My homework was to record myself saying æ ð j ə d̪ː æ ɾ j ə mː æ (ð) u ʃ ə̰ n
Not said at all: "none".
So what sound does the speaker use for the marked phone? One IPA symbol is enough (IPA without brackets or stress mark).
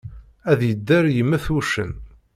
θ